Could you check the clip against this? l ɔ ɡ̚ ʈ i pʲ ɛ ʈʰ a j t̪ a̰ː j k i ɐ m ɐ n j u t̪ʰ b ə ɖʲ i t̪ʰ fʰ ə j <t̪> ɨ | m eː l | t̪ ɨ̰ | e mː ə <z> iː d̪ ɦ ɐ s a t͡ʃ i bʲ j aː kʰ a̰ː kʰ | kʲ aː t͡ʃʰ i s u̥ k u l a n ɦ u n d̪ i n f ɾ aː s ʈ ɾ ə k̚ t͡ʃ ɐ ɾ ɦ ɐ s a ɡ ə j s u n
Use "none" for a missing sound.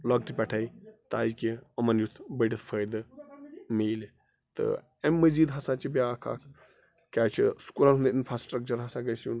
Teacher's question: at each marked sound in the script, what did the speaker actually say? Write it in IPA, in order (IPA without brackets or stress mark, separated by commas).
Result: d̪, z